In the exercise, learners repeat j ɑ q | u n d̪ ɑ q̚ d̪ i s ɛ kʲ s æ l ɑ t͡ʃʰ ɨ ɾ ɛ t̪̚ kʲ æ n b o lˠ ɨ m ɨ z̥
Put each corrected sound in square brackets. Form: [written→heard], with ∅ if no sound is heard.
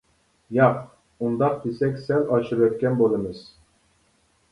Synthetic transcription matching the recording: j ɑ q | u n d̪ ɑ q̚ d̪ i s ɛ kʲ s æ l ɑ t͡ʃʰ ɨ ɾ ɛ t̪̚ kʲ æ n b o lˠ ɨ m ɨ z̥

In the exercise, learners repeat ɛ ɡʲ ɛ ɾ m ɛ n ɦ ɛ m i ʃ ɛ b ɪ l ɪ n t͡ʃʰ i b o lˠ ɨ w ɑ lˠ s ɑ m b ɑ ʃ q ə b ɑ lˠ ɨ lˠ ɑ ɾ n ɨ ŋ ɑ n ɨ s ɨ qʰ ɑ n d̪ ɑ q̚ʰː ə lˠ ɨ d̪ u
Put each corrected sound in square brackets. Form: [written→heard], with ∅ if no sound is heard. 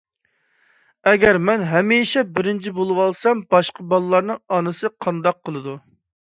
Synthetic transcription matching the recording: ɛ ɡʲ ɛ ɾ m ɛ n ɦ ɛ m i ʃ ɛ b ɪ [l→ɾ] ɪ n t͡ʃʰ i b o lˠ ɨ w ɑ lˠ s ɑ m b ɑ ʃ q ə b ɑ lˠ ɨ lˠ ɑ ɾ n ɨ ŋ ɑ n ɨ s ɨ qʰ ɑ n d̪ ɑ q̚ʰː ə lˠ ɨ d̪ u

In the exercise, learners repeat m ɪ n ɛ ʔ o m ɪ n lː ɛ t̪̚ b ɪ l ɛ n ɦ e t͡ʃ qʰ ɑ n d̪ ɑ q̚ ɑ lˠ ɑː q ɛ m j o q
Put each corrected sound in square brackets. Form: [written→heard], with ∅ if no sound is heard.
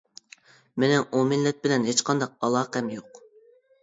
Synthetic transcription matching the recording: m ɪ n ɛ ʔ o m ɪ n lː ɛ t̪̚ b ɪ l ɛ n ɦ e t͡ʃ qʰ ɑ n d̪ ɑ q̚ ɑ lˠ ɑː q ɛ m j o q

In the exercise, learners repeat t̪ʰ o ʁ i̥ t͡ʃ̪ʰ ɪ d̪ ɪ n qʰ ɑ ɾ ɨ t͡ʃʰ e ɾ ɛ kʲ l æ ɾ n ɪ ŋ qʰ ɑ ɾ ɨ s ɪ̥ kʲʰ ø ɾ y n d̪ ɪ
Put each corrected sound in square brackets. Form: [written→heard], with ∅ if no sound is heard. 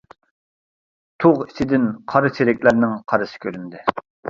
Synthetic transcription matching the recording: t̪ʰ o ʁ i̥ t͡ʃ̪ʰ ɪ d̪ ɪ n qʰ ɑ ɾ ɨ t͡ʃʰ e ɾ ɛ kʲ l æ ɾ n ɪ ŋ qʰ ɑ ɾ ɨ s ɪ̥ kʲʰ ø ɾ y n d̪ ɪ

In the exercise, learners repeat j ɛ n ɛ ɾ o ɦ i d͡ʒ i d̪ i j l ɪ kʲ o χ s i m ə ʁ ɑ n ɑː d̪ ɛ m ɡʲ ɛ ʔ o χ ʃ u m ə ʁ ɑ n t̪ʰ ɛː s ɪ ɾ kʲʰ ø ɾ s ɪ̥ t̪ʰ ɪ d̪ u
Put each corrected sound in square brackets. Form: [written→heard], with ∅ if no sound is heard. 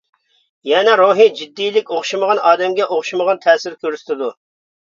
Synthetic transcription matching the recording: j ɛ n ɛ ɾ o ɦ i d͡ʒ i [d̪→d̪ː] i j l ɪ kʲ o χ [s→ʃ] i m ə ʁ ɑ n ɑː d̪ ɛ m ɡʲ ɛ ʔ o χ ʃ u m ə ʁ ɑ n t̪ʰ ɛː s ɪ ɾ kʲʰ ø ɾ s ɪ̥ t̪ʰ ɪ d̪ u

